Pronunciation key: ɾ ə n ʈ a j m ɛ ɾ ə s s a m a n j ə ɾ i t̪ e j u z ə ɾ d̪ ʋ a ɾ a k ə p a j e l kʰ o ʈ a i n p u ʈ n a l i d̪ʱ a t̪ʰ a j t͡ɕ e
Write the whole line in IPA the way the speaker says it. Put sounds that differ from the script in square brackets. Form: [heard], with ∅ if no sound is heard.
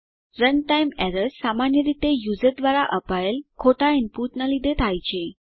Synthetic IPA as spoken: ɾ ə n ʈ a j m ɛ ɾ ə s s a m a n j ə ɾ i t̪ e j u [d͡z] ə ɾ d̪ ʋ a ɾ a [ʔ] ə p a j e l kʰ o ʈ a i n p u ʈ n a l i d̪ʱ [e] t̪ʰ a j t͡ɕ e